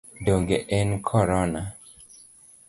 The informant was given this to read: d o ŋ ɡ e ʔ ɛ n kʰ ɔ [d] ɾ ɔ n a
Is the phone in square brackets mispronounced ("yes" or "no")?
yes